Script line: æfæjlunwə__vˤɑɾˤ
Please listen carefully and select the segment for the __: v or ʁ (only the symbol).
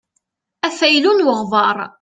ʁ